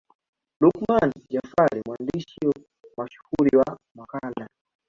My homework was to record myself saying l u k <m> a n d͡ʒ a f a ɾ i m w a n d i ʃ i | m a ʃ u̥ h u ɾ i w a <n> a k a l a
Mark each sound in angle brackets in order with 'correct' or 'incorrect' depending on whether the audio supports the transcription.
correct, incorrect

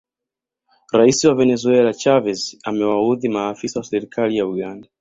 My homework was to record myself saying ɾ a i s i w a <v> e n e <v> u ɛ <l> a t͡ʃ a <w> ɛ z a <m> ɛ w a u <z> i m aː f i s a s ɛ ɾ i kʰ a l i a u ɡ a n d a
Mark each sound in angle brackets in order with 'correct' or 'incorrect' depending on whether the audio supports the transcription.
correct, incorrect, correct, incorrect, correct, incorrect

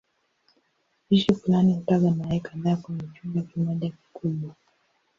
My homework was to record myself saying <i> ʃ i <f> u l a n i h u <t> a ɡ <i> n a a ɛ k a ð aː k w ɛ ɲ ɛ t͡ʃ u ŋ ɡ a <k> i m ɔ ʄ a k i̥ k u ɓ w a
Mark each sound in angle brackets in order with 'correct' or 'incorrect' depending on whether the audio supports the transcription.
correct, correct, correct, incorrect, correct

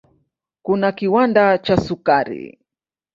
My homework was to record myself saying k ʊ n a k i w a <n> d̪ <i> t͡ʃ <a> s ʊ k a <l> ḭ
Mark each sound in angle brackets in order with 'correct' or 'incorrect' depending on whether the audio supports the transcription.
correct, incorrect, correct, incorrect

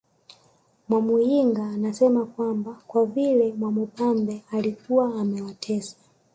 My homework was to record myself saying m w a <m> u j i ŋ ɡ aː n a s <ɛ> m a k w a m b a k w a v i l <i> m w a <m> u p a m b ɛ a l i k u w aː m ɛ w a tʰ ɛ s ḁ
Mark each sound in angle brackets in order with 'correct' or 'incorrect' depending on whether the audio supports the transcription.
correct, correct, incorrect, correct

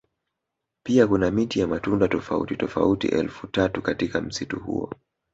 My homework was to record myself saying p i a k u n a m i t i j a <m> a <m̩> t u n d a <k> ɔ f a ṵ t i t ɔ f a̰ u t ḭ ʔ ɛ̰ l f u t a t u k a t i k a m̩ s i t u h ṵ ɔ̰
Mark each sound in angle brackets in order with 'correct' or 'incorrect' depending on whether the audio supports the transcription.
correct, incorrect, incorrect

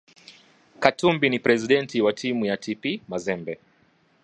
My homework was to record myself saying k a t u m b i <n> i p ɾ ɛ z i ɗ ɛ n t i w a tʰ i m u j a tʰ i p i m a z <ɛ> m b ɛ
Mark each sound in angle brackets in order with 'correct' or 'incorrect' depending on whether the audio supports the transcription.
correct, correct

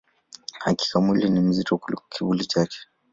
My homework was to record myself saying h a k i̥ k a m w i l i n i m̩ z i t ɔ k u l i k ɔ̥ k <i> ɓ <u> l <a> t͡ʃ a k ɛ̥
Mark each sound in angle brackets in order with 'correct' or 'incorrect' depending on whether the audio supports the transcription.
correct, correct, incorrect

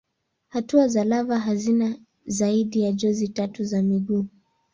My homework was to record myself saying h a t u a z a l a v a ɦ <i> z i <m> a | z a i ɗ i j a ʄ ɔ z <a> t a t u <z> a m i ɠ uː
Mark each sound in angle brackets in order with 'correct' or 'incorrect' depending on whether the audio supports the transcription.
incorrect, incorrect, incorrect, correct

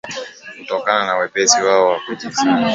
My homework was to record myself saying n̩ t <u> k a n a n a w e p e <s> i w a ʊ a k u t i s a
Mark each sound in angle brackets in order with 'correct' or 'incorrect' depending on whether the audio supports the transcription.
incorrect, correct

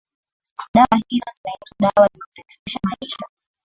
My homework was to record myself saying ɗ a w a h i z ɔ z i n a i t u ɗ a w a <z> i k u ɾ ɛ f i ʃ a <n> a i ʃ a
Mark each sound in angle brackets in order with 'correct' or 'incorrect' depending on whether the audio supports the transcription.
correct, incorrect

